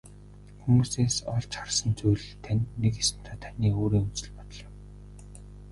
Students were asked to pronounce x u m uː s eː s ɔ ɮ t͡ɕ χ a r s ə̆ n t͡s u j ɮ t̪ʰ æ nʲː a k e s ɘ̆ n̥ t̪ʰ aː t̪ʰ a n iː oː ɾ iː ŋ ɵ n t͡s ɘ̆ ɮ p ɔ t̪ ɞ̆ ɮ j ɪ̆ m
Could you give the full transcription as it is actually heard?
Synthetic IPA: x u m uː s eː s ɔ ɮ t͡ɕ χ a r s ə̆ n t͡s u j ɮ t̪ʰ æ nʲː e k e s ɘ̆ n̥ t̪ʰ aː t̪ʰ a n iː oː ɾ iː ŋ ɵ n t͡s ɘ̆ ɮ p ɔ t̪ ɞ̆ ɮ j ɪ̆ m